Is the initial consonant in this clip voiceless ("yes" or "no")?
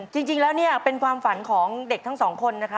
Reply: yes